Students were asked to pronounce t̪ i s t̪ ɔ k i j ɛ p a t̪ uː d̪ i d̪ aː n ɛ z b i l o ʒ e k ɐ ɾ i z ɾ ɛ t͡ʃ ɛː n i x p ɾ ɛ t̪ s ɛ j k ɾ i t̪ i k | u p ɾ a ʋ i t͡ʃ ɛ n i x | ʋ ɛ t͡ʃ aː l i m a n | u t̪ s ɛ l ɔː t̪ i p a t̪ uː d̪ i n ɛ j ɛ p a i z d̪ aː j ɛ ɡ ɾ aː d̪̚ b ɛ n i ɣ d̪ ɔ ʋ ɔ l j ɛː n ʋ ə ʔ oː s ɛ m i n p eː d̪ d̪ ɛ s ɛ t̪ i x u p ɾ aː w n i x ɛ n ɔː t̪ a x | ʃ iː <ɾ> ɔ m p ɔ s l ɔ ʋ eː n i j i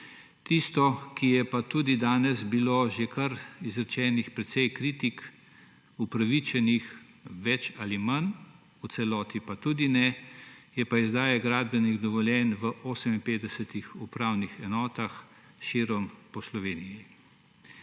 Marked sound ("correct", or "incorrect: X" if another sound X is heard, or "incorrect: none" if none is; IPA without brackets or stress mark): correct